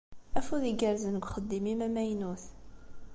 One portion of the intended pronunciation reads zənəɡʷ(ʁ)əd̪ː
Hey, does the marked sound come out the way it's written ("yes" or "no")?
no